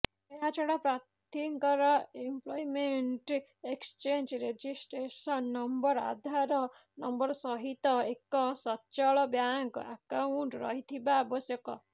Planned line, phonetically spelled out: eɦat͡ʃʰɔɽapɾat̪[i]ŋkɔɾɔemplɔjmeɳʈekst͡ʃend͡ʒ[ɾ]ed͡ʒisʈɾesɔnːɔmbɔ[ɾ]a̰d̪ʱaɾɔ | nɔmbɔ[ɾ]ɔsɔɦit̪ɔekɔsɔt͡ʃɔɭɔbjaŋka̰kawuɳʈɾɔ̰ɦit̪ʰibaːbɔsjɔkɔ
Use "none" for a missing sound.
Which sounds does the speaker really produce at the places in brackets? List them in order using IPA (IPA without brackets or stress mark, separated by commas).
i, ɾ, ɾ, ɾ